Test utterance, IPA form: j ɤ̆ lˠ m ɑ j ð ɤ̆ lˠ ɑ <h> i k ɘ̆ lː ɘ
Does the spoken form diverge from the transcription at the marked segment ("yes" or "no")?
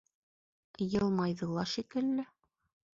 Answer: yes